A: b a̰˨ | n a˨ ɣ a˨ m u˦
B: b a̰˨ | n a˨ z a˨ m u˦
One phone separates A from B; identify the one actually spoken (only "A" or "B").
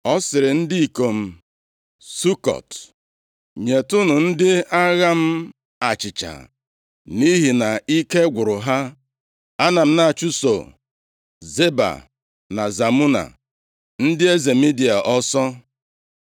B